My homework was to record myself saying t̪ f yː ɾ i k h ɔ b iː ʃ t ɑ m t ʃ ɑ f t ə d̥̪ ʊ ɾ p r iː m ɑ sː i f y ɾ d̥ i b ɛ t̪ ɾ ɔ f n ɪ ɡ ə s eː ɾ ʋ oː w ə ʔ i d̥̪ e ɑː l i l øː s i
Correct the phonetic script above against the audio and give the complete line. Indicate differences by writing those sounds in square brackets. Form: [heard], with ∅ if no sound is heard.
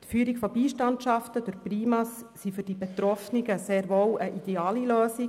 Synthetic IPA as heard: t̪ f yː ɾ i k [f] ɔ b iː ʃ t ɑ [n] t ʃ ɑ f t ə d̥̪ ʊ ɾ p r iː m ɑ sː i f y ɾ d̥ i b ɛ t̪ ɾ ɔ f n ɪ ɡ ə s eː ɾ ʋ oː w ə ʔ i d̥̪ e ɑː l i l øː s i

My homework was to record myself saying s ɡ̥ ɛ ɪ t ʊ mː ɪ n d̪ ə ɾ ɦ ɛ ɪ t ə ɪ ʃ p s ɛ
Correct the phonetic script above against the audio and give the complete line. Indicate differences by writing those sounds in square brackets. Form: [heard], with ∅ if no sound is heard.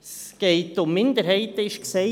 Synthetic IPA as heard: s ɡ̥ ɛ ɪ t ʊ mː ɪ n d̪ ə ɾ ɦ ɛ ɪ t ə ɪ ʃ [k] s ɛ

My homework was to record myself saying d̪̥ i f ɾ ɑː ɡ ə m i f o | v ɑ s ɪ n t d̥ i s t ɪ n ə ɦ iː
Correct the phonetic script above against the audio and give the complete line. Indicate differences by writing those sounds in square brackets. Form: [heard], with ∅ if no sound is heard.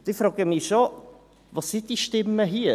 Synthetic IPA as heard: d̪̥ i f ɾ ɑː ɡ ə m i [ʃ] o | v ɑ s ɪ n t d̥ i [ʃ] t ɪ [m] ə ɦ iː

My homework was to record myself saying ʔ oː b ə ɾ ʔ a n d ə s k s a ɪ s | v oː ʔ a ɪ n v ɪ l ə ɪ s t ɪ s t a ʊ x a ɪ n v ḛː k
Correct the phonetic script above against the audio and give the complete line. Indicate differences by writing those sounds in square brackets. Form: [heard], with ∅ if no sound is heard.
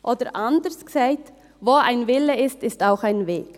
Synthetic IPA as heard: ʔ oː [d] ə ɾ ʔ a n d ə s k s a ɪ [t] | v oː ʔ a ɪ n v ɪ l ə ɪ s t ɪ s t a ʊ x a ɪ n v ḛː k

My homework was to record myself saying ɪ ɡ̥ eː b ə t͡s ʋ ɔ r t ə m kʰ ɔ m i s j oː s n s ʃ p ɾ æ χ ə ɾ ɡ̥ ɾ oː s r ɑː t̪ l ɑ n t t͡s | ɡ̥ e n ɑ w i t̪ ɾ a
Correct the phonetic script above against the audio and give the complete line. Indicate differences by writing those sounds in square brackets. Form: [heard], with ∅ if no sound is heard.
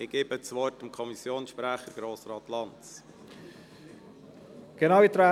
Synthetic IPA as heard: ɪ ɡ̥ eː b ə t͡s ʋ ɔ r t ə m kʰ ɔ m i s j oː [∅] n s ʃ p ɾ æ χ ə ɾ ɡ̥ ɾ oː s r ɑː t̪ l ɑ n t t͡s | ɡ̥ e n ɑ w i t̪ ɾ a

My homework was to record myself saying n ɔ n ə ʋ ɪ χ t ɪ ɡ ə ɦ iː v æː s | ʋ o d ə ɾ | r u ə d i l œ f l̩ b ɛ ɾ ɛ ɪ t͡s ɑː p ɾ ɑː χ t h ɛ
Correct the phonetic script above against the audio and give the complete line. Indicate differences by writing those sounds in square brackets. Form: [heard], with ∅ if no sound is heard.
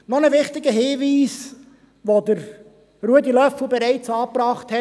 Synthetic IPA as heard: n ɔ n ə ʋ ɪ χ t ɪ ɡ ə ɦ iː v [iː] s | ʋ o d ə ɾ | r u ə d i l œ f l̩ b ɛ ɾ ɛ ɪ t͡s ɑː p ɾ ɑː χ t h ɛ

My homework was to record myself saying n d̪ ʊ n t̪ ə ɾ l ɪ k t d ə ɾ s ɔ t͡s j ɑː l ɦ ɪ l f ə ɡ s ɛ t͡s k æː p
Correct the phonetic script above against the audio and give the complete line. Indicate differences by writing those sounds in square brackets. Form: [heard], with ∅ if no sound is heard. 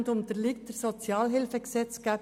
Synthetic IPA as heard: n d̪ ʊ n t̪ ə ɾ l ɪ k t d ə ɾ s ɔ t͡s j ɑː l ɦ ɪ l f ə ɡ s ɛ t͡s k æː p

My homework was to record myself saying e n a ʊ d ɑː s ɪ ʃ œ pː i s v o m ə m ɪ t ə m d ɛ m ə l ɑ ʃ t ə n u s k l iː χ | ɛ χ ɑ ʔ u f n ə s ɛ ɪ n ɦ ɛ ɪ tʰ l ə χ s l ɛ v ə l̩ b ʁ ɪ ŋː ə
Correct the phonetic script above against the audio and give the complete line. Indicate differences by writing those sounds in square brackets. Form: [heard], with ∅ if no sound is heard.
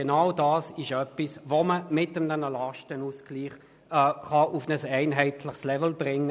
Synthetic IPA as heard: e n a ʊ d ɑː s ɪ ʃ œ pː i s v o m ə m ɪ t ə m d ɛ [n] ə l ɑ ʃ t ə n u s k l iː χ | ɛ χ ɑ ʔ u f n ə s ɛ ɪ n ɦ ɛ ɪ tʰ l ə χ s l ɛ v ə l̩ b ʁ ɪ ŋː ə

